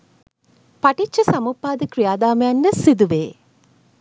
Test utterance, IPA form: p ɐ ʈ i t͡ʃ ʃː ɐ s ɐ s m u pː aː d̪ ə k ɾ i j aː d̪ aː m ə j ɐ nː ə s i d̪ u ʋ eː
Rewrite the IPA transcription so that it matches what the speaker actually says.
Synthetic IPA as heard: p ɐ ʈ i t͡ʃ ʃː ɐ s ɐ m u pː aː d̪ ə k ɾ i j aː d̪ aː m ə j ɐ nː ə s i d̪ u ʋ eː